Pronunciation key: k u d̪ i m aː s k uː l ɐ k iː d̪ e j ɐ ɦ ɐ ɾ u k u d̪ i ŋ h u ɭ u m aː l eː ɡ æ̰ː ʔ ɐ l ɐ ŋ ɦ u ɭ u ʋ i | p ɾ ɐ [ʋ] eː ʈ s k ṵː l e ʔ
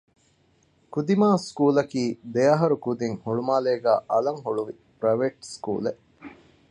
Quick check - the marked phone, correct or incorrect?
correct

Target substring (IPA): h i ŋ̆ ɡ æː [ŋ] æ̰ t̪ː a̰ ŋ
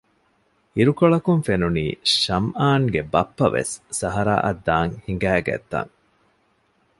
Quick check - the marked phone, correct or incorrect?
incorrect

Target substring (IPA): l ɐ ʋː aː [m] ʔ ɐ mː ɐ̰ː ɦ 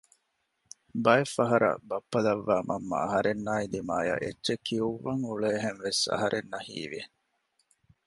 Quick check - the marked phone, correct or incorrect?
correct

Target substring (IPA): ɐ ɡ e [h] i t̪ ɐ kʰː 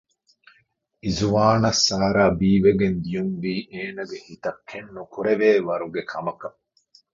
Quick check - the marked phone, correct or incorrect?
correct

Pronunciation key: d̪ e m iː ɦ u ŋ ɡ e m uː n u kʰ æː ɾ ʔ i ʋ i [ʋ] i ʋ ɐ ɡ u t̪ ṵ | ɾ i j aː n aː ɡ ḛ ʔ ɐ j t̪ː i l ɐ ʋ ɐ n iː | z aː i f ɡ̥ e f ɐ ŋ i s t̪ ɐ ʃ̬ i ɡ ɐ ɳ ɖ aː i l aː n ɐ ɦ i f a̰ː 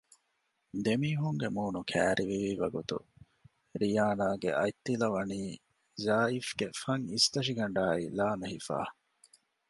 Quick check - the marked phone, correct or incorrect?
correct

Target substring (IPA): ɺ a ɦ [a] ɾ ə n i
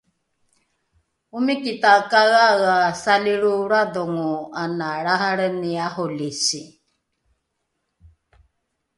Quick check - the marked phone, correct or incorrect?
correct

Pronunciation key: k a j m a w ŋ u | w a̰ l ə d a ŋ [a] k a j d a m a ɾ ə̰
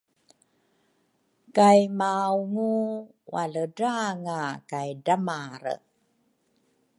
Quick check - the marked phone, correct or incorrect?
correct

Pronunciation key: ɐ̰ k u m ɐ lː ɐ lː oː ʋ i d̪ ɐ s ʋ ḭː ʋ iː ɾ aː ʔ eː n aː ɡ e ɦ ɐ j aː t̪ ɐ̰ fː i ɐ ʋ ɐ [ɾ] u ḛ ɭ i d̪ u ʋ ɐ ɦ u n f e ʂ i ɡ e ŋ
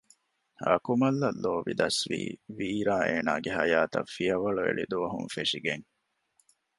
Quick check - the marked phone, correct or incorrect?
incorrect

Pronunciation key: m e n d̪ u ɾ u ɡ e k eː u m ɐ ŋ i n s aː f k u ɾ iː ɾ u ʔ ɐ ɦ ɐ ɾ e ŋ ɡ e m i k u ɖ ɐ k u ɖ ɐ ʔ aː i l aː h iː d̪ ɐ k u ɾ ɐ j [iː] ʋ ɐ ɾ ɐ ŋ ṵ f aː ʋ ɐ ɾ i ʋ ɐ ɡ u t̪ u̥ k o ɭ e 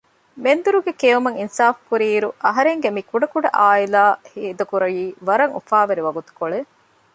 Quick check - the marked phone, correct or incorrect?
correct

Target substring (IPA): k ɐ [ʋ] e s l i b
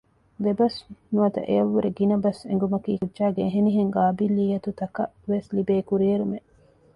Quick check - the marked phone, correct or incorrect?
correct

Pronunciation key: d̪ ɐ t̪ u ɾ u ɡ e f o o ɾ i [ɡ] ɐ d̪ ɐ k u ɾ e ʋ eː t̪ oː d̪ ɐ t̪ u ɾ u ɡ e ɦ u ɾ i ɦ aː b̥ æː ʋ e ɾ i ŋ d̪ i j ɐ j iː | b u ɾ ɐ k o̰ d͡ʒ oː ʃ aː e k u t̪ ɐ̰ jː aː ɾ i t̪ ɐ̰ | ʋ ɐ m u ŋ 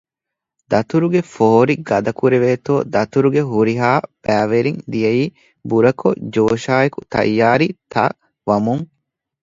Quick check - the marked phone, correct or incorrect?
correct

